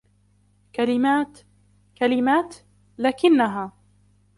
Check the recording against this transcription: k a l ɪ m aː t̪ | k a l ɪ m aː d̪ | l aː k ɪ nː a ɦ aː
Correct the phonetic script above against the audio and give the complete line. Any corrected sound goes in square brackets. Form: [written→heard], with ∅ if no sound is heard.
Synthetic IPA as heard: k a l ɪ m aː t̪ | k a l ɪ m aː [d̪→t̪] | l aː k ɪ nː a ɦ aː